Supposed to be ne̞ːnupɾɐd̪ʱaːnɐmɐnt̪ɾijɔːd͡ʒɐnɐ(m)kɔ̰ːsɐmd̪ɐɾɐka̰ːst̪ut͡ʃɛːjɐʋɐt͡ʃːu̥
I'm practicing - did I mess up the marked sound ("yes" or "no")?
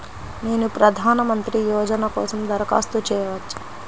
yes